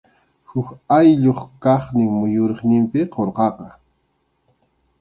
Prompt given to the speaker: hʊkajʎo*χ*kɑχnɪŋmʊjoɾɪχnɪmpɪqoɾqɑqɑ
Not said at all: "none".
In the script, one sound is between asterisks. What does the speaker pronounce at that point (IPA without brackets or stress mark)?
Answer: χ